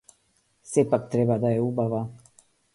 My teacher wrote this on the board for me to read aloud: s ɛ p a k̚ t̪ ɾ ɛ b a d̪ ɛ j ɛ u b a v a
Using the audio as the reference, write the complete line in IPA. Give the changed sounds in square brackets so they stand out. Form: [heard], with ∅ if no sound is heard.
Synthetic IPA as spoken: s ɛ p a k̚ t̪ ɾ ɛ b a d̪ [a] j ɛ u b a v a